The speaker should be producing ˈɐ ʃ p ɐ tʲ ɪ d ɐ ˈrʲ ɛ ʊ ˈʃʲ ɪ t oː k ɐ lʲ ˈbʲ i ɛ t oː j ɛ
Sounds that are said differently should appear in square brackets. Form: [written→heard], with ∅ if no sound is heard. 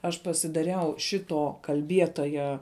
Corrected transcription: ˈɐ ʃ p ɐ [tʲ→sʲ] ɪ d ɐ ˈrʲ ɛ ʊ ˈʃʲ ɪ t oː k ɐ lʲ ˈbʲ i ɛ t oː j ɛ